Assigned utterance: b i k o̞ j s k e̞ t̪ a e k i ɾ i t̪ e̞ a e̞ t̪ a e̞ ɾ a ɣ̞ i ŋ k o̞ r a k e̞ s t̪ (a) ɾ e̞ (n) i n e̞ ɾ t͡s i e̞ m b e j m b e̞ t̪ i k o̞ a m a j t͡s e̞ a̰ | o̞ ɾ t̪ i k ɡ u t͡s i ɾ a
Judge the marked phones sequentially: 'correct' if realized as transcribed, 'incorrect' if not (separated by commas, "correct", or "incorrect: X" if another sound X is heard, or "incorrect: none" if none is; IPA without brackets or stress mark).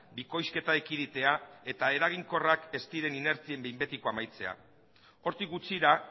incorrect: i, correct